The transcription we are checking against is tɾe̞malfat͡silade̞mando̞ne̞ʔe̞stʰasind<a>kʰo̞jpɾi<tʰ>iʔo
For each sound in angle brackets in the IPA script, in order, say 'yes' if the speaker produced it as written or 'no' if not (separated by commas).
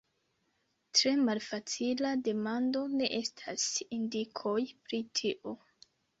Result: no, yes